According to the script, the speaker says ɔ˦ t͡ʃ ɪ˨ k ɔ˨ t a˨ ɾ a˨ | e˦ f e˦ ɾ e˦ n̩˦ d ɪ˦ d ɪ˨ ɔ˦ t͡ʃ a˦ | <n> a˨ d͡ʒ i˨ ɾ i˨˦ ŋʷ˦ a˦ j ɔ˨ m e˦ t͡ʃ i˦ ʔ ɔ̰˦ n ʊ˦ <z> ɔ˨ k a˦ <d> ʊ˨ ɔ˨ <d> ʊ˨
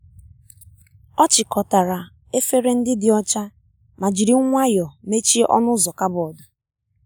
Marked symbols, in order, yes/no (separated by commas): no, yes, no, yes